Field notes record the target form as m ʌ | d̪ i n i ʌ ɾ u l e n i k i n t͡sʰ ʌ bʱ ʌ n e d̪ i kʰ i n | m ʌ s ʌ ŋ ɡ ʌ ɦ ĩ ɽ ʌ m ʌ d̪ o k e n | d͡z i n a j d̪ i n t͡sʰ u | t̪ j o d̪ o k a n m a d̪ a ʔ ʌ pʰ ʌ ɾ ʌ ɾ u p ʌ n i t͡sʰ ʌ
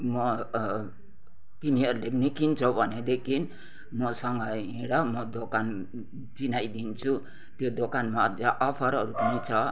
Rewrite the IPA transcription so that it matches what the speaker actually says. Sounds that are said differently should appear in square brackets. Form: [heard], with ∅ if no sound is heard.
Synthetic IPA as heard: m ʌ | [t̪] i n i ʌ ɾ u l e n i k i n t͡sʰ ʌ bʱ ʌ n e d̪ [e] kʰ i n | m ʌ s ʌ ŋ ɡ ʌ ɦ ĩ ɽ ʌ m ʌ d̪ o k [a] n | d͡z i n a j d̪ i n t͡sʰ u | t̪ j o d̪ o k a n m a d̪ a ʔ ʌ pʰ ʌ ɾ ʌ ɾ u p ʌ n i t͡sʰ ʌ